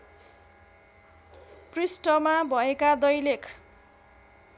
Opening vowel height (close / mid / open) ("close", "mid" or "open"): close